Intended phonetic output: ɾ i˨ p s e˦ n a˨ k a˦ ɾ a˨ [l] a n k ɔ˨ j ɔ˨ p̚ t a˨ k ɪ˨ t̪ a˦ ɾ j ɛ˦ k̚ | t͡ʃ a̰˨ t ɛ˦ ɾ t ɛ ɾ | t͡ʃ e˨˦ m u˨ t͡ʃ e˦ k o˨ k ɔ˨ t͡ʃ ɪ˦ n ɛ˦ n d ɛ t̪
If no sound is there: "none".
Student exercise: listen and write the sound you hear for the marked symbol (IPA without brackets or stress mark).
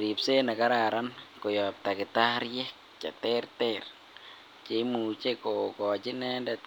ɾ